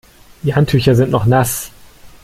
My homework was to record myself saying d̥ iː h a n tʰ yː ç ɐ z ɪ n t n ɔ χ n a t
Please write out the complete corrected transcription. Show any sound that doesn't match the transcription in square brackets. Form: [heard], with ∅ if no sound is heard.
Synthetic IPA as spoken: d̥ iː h a n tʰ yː ç ɐ z ɪ n t n ɔ χ n a [s]